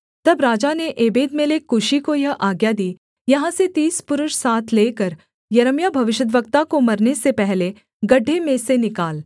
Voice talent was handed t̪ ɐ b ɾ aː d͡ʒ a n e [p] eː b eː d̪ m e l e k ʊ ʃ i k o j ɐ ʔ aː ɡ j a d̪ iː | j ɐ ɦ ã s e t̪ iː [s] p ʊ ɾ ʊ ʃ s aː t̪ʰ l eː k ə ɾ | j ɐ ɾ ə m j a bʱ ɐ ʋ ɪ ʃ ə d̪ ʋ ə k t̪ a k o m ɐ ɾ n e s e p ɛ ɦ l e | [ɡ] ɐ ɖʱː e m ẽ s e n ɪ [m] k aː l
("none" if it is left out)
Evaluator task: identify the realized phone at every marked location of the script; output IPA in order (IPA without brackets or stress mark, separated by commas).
ʔ, s, ɡ, none